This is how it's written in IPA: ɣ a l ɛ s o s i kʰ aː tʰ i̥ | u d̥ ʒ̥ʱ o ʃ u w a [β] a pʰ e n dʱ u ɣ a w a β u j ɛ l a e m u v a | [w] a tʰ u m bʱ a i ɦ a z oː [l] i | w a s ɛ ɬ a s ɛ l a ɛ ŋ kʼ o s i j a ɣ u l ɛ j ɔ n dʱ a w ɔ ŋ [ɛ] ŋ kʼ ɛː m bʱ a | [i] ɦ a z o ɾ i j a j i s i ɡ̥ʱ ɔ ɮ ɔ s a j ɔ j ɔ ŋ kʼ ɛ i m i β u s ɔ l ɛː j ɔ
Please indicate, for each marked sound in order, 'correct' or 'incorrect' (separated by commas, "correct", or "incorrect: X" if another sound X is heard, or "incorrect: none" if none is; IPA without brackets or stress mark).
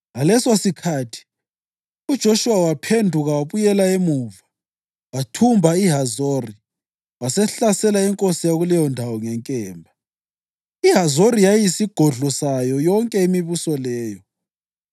incorrect: w, correct, incorrect: r, correct, correct